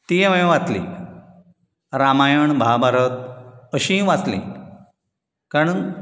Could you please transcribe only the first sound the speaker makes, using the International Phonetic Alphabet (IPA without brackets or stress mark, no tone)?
t̪